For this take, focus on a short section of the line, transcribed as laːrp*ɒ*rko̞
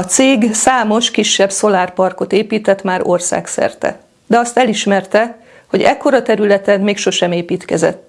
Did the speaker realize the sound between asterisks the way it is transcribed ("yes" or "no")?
yes